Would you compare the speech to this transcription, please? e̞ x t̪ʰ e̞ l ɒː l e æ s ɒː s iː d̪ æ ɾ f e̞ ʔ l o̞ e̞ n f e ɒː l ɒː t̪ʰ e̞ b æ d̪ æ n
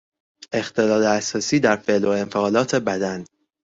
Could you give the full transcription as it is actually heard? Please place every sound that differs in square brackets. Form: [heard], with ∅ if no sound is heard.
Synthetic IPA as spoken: e̞ x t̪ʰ e̞ l ɒː l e æ s ɒː s iː d̪ æ ɾ f e̞ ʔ l o̞ e̞ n f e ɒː l ɒː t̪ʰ e̞ b æ d̪ æ n